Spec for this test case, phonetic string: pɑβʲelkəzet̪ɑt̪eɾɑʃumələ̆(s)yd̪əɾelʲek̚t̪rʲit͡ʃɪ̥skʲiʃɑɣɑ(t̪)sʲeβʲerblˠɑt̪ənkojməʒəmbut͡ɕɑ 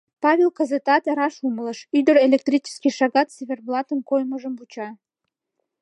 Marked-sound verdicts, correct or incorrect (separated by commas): incorrect, correct